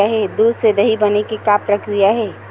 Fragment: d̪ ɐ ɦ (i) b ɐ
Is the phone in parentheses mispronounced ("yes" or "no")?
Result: no